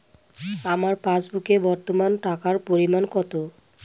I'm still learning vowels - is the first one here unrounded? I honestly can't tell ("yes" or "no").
yes